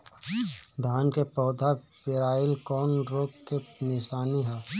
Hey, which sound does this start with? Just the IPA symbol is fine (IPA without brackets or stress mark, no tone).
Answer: d̪ʱ